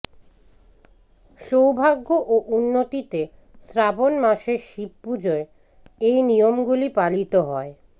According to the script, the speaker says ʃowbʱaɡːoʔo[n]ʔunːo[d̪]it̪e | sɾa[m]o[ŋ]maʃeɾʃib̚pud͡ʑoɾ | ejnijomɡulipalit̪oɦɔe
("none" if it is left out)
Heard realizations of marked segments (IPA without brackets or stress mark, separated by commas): none, t̪, b, n